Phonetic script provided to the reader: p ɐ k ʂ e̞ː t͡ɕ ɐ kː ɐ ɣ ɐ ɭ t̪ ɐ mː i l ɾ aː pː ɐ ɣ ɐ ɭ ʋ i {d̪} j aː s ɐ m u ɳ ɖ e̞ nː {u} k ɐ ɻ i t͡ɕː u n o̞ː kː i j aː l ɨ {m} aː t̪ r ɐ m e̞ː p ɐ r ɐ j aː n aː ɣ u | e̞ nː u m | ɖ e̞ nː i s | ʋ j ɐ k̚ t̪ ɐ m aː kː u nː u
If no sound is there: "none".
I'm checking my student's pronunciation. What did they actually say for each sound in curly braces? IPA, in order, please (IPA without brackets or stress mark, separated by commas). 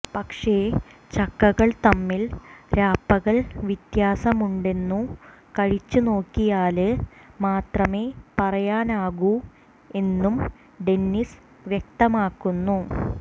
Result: t̪, u, m